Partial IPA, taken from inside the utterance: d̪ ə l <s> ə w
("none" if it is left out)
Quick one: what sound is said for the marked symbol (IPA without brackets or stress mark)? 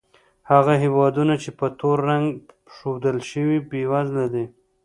ʃ